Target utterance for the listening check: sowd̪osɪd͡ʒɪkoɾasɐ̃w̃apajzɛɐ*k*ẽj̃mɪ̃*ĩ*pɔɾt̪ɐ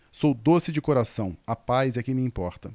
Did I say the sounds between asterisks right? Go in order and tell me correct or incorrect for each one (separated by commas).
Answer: correct, correct